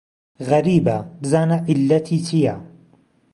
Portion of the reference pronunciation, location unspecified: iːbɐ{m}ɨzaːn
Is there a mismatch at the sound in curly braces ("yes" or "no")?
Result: yes